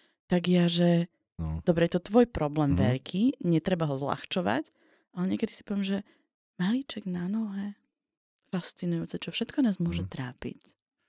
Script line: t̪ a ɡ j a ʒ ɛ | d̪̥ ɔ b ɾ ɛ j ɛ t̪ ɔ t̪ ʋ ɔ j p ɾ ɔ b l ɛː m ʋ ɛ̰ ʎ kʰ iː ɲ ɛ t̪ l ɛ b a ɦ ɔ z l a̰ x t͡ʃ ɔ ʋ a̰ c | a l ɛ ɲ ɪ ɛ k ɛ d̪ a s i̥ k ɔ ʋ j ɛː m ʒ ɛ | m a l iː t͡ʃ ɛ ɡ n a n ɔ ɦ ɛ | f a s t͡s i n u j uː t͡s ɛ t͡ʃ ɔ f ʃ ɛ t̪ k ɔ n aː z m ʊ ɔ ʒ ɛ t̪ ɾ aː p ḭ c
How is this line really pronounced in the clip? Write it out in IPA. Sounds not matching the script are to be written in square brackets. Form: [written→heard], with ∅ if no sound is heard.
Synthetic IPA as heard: t̪ a ɡ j a ʒ ɛ | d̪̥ ɔ b ɾ ɛ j ɛ t̪ ɔ t̪ ʋ ɔ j p ɾ ɔ b l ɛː m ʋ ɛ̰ ʎ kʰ iː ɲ ɛ t̪ [l→ɾ] ɛ b a ɦ ɔ z l a̰ x t͡ʃ ɔ ʋ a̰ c | a l ɛ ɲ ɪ ɛ k ɛ d̪ [a→i] s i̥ [k→p] ɔ ʋ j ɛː m ʒ ɛ | m a l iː t͡ʃ ɛ ɡ n a n ɔ ɦ ɛ | f a s t͡s i n u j uː t͡s ɛ t͡ʃ ɔ f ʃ ɛ t̪ k ɔ n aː z m ʊ ɔ ʒ ɛ t̪ ɾ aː p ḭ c